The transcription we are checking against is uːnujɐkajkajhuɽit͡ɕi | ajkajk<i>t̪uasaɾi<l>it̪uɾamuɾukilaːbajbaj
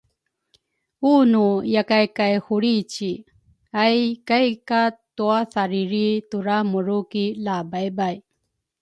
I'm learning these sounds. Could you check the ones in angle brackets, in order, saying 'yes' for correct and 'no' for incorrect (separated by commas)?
no, no